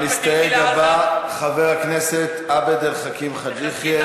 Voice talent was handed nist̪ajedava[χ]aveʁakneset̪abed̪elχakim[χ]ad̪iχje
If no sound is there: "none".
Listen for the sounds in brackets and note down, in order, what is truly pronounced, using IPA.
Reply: χ, χ

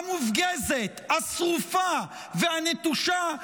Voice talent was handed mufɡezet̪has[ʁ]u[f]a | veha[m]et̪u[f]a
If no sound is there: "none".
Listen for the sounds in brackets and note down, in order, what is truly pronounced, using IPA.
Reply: ʁ, f, n, ʃ

